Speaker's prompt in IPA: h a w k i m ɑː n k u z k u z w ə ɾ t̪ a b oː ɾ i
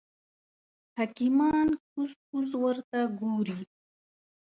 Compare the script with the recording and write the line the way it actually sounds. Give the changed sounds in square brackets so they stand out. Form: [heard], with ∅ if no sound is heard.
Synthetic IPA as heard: h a [∅] k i m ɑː n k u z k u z w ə ɾ t̪ a [ɡ] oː ɾ i